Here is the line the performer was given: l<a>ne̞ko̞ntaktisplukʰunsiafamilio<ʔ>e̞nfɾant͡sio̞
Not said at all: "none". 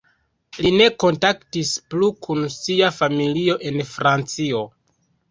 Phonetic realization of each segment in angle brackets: i, ʔ

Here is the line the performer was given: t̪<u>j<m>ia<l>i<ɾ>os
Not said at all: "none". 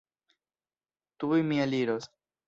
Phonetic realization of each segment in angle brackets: u, m, l, ɾ

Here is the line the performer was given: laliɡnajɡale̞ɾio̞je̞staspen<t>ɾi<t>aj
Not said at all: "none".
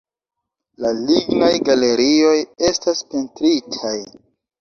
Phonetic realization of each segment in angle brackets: t, tʰ

